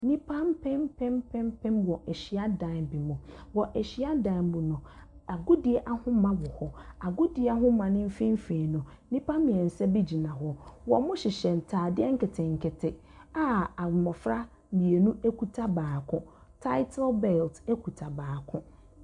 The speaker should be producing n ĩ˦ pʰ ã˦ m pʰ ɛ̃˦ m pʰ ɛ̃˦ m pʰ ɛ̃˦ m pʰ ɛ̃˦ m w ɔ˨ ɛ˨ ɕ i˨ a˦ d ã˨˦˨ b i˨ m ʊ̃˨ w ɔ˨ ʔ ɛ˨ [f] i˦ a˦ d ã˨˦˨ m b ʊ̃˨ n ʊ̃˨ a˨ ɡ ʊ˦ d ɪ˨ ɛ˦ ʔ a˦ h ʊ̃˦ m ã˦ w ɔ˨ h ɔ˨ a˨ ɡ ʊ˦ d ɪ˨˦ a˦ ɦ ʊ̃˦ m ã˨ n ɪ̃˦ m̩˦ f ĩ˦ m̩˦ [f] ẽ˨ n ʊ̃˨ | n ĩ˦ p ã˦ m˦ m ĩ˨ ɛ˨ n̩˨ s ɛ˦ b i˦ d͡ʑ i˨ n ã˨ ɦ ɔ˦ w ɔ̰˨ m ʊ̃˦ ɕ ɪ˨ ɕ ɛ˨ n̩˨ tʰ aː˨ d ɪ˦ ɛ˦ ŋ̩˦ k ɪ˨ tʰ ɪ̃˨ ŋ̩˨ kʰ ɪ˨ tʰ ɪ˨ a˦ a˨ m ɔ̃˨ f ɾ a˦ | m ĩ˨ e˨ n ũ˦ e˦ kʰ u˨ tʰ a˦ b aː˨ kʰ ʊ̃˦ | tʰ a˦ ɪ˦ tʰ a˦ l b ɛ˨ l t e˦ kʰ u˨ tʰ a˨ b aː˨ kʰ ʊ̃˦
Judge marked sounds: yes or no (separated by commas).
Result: no, yes